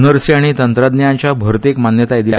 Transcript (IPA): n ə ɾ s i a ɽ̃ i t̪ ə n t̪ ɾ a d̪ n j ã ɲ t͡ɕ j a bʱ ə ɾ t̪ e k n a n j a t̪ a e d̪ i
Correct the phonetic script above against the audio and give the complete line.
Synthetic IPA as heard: n ə ɾ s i a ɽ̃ i t̪ ə n t̪ ɾ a d̪ n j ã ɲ t͡ɕ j a bʱ ə ɾ t̪ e k m a n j ə t̪ a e d̪ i